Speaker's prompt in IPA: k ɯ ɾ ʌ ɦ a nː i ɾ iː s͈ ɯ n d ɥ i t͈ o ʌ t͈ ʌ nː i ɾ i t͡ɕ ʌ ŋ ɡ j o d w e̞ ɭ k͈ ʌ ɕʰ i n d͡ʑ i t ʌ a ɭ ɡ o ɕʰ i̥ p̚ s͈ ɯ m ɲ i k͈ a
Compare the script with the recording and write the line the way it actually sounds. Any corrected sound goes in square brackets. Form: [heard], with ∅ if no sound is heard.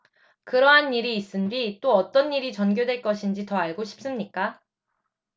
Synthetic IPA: k ɯ ɾ ʌ ɦ a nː i ɾ iː s͈ ɯ n d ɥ i t͈ o ʌ t͈ ʌ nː i ɾ i t͡ɕ ʌ [n] ɡ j o d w e̞ ɭ k͈ ʌ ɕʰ i n d͡ʑ i t ʌ a ɭ ɡ o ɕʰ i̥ p̚ s͈ ɯ m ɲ i k͈ a